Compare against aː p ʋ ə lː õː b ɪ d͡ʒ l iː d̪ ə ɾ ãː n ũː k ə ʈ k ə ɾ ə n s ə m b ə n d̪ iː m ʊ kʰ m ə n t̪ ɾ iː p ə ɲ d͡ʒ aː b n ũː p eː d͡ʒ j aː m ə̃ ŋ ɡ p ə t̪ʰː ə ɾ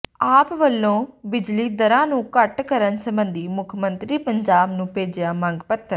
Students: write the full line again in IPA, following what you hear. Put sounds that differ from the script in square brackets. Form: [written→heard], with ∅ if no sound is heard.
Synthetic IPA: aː p ʋ ə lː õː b ɪ d͡ʒ l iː d̪ ə ɾ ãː n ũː k ə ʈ k ə ɾ ə n s ə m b ə n d̪ iː m ʊ kʰ m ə n t̪ ɾ iː p ə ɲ d͡ʒ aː b n ũː p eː d͡ʒ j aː m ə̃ ŋ ɡ p ə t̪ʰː ə ɾ